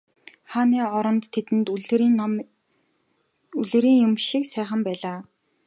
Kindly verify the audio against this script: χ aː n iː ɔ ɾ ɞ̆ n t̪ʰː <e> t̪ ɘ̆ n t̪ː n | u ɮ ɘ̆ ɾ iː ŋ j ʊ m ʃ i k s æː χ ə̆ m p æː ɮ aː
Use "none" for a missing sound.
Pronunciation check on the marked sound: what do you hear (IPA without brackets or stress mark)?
e